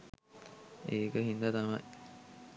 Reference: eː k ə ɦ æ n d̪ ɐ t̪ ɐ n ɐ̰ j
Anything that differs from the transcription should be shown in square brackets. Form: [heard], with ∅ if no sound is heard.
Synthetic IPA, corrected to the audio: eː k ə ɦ [i] n d̪ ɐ t̪ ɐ [m] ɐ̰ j